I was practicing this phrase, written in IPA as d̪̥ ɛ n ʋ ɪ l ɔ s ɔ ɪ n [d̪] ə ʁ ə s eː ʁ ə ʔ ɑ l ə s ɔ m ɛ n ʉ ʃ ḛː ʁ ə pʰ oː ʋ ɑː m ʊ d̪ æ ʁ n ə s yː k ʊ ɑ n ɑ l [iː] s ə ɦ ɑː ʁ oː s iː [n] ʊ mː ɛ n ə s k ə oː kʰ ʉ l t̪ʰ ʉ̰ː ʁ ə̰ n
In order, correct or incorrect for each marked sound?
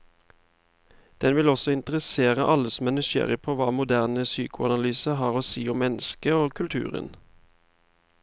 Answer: incorrect, incorrect, incorrect

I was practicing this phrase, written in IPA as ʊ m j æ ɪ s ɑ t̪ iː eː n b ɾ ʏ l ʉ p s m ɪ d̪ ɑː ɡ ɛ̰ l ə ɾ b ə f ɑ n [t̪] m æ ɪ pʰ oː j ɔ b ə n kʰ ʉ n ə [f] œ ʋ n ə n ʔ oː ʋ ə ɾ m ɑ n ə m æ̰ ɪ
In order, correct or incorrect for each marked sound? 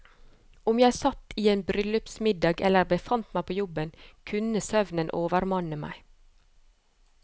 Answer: correct, incorrect

